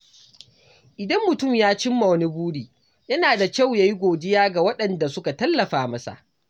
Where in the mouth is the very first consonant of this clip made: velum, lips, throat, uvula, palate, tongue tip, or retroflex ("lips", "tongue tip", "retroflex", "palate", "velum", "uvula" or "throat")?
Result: throat